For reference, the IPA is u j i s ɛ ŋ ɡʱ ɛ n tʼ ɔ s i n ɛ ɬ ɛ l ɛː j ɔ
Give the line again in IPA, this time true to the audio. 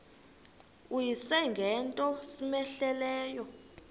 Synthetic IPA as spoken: u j i s ɛ ŋ ɡʱ ɛ n tʼ ɔ s i m ɛ ɬ ɛ l ɛː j ɔ